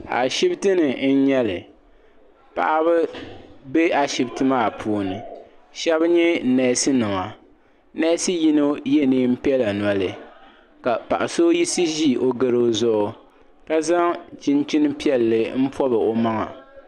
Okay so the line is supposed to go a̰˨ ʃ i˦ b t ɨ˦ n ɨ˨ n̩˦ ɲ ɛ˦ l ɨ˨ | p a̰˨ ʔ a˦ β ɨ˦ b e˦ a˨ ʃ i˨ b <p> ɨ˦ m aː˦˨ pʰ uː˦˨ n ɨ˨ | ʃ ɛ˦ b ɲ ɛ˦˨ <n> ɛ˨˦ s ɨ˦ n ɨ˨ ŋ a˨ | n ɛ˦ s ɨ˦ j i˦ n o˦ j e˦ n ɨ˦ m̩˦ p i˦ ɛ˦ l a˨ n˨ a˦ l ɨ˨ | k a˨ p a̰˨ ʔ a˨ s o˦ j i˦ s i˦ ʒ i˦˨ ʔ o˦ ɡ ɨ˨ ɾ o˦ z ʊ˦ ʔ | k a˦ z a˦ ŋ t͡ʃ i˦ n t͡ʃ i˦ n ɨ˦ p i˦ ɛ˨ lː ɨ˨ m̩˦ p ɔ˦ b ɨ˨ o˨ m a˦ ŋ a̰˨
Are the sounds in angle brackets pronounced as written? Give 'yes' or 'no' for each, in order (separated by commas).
no, yes